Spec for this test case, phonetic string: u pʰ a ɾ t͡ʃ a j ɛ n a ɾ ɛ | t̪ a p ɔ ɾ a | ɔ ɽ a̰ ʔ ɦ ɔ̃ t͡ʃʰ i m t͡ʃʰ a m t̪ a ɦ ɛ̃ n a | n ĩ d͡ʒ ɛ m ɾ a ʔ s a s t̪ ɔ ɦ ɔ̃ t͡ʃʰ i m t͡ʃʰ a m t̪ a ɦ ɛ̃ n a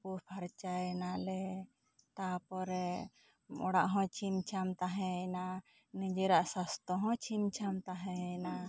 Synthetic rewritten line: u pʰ a ɾ t͡ʃ a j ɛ n a l ɛ | t̪ a p ɔ ɾ ɛ | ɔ ɽ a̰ ʔ ɦ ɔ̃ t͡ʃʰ i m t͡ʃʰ a m t̪ a ɦ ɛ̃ n a | n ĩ d͡ʒ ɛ ɾ a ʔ s a s t̪ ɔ ɦ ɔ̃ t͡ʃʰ i m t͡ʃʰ a m t̪ a ɦ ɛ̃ n a